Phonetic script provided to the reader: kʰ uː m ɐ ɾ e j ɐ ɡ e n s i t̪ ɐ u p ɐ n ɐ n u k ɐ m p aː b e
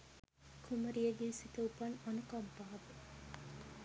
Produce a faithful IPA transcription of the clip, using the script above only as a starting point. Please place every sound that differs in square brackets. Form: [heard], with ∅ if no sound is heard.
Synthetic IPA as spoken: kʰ [u] m ɐ ɾ [i] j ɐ ɡ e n s i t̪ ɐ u p ɐ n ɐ n u k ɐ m p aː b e